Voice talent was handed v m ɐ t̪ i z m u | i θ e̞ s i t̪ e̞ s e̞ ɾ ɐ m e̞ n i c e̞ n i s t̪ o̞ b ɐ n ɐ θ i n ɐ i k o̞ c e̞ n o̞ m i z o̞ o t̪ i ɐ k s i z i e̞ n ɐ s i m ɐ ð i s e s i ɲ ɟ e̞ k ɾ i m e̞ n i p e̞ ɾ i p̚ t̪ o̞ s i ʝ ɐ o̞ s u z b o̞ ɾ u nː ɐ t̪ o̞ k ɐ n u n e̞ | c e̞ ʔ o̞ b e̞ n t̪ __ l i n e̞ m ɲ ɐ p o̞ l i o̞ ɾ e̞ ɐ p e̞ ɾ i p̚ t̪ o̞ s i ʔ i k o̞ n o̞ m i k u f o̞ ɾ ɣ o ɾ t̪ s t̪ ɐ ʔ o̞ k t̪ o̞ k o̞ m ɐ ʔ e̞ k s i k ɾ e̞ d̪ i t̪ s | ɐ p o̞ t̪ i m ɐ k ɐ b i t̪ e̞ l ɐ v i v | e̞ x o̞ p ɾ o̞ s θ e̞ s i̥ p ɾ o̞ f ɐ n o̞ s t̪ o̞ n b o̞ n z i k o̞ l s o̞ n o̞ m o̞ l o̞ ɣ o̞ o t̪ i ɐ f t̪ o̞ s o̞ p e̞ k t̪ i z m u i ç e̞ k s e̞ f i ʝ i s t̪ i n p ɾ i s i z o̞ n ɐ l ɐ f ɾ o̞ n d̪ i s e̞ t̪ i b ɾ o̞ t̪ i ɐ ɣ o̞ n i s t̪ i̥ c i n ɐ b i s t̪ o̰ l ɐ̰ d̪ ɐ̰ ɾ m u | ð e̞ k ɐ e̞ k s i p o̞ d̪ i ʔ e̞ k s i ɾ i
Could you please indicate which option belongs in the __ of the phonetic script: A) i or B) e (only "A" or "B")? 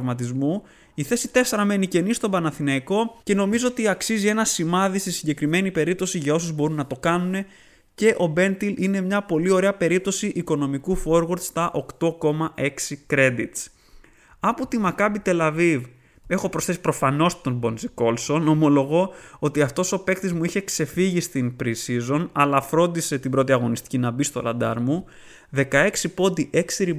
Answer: A